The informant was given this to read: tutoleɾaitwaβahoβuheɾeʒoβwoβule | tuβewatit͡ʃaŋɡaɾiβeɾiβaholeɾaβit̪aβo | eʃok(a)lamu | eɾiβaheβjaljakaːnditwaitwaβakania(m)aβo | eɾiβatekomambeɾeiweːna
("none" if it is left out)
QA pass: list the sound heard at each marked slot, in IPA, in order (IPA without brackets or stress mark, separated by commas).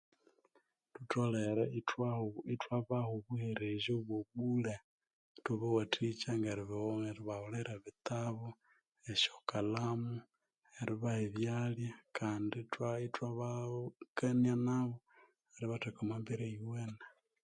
a, n